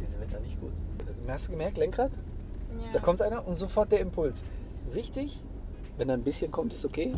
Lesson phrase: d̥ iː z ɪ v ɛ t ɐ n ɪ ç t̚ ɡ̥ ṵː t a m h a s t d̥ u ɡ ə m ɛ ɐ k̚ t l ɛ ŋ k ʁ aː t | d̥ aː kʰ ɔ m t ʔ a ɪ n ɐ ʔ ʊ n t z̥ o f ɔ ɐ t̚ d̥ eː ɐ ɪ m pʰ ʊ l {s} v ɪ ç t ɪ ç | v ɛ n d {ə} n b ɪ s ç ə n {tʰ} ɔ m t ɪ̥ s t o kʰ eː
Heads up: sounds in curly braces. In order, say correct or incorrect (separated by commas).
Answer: correct, incorrect, incorrect